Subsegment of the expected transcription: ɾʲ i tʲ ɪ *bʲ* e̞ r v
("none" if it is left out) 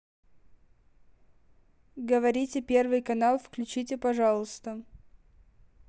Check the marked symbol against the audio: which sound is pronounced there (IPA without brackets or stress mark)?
pʲ